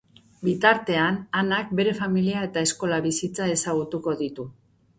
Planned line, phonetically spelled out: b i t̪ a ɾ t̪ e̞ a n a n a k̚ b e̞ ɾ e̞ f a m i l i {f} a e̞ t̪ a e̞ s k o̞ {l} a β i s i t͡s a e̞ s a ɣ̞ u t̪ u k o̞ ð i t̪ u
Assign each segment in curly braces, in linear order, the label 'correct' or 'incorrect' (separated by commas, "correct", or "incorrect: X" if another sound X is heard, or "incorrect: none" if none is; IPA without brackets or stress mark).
incorrect: none, correct